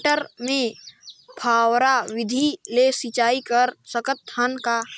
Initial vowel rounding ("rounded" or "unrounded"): unrounded